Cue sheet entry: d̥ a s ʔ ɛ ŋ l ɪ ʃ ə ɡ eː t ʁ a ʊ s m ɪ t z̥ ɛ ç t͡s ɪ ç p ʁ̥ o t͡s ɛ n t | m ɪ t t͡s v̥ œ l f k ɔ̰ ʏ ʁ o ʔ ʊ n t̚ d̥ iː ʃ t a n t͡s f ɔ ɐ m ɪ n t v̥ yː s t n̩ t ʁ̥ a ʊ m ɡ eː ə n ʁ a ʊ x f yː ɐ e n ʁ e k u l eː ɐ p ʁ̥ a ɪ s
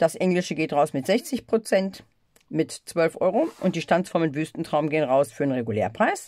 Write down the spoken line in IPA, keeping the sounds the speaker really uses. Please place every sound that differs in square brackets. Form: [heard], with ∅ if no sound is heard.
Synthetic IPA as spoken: d̥ a s ʔ ɛ ŋ l ɪ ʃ ə ɡ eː t ʁ a ʊ s m ɪ t z̥ ɛ ç t͡s ɪ ç p ʁ̥ o t͡s ɛ n t | m ɪ t t͡s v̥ œ l f [ʔ] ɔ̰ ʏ ʁ o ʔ ʊ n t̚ d̥ iː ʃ t a n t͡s f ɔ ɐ m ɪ n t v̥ yː s t n̩ t ʁ̥ a ʊ m ɡ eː ə n ʁ a ʊ [s] f yː ɐ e n ʁ e [ɡ] u l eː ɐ p ʁ̥ a ɪ s